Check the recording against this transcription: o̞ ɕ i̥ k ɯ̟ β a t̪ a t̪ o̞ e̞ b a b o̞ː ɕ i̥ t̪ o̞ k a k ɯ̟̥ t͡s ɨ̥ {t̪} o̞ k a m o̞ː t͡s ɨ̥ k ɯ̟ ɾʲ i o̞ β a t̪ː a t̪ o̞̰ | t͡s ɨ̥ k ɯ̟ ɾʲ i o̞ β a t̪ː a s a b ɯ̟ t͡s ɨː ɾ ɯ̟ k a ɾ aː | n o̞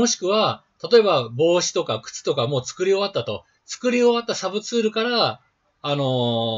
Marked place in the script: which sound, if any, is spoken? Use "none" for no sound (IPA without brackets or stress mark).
t̪